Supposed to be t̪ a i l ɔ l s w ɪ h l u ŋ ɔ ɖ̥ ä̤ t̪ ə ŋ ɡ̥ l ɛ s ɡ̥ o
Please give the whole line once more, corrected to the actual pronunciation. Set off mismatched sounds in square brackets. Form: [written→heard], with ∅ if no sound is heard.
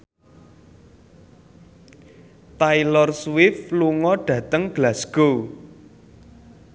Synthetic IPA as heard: t̪ a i l ɔ [l→r] s w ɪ [h→f] l u ŋ ɔ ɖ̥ ä̤ t̪ ə ŋ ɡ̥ l [ɛ→a] s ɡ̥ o